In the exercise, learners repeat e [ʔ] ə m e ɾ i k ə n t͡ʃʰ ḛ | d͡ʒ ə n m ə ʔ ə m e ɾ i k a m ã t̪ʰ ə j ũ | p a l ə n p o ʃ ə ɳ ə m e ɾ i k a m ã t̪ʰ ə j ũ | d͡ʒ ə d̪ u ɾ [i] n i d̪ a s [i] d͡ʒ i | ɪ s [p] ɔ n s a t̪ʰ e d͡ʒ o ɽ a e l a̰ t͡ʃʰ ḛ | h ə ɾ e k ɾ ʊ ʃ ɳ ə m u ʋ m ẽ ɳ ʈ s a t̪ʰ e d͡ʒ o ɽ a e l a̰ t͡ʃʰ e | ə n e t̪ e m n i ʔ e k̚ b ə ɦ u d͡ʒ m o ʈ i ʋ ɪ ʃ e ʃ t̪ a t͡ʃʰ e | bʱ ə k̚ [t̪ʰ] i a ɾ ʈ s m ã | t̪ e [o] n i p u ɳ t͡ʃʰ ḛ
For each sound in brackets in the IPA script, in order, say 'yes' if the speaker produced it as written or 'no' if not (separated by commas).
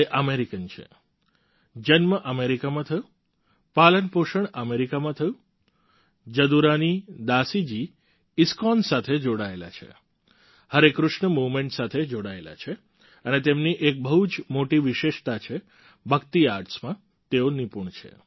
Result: yes, no, yes, no, no, yes